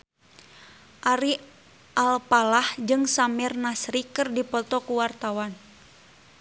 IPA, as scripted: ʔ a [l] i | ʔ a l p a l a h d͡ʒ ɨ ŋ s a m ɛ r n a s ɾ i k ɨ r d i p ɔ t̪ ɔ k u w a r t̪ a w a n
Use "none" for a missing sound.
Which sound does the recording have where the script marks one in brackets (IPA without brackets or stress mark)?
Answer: ɾ